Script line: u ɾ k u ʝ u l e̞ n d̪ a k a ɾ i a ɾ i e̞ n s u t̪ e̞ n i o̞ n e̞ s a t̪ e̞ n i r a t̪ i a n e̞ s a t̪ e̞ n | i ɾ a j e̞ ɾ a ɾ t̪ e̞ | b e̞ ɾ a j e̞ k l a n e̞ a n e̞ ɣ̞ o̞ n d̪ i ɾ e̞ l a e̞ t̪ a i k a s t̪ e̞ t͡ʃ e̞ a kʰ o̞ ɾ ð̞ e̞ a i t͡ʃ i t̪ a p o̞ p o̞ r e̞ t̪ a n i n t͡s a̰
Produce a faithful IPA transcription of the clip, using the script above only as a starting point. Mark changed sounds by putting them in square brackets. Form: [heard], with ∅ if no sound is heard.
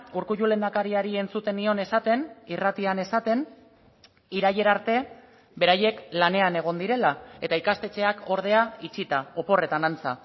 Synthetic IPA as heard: u ɾ k u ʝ u l e̞ n d̪ a k a ɾ i a ɾ i e̞ n [t͡s] u t̪ e̞ n i o̞ n e̞ s a t̪ e̞ n i r a t̪ i a n e̞ s a t̪ e̞ n | i ɾ a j e̞ ɾ a ɾ t̪ e̞ | b e̞ ɾ a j e̞ k l a n e̞ a n e̞ ɣ̞ o̞ n d̪ i ɾ e̞ l a e̞ t̪ a i k a s t̪ e̞ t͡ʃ e̞ a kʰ o̞ ɾ ð̞ e̞ a i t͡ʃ i t̪ a [∅] o̞ p o̞ r e̞ t̪ a n [a] n t͡s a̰

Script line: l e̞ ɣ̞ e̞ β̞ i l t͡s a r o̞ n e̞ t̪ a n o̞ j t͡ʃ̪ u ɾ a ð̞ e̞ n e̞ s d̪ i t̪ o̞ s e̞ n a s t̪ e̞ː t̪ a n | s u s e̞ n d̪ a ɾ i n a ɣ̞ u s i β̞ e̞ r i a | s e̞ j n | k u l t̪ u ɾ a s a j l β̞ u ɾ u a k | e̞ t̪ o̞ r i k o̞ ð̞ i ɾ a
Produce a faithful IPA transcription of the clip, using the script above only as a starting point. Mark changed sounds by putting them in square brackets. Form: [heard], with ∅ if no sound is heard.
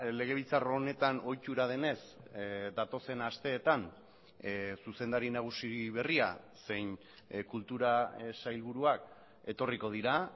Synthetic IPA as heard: l e̞ ɣ̞ e̞ β̞ i l t͡s a r o̞ n e̞ t̪ a n o̞ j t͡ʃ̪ u ɾ a ð̞ e̞ n e̞ s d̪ [a] t̪ o̞ s e̞ n a s t̪ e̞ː t̪ a n | s u s e̞ n d̪ a ɾ i n a ɣ̞ u s i β̞ e̞ r i a | s e̞ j n | k u l t̪ u ɾ a s a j l β̞ u ɾ u a k | e̞ t̪ o̞ r i k o̞ ð̞ i ɾ a

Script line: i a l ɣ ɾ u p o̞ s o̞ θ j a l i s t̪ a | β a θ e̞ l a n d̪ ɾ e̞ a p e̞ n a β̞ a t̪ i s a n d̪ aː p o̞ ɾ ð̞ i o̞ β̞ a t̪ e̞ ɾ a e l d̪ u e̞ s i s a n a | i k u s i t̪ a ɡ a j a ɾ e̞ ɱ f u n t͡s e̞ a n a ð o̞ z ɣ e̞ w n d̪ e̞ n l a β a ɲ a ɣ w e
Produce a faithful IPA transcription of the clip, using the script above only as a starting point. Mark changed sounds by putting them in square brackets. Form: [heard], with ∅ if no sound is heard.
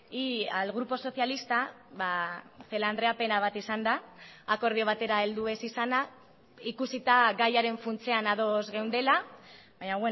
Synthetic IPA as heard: i a l ɣ ɾ u p o̞ s o̞ θ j a l i s t̪ a | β a θ e̞ l a n d̪ ɾ e̞ a p e̞ n a β̞ a t̪ i s a n d̪ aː [k] o̞ ɾ ð̞ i o̞ β̞ a t̪ e̞ ɾ a e l d̪ u e̞ s i s a n a | i k u s i t̪ a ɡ a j a ɾ e̞ ɱ f u n t͡s e̞ a n a ð o̞ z ɣ e̞ w n d̪ e̞ [∅] l a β a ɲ a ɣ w e

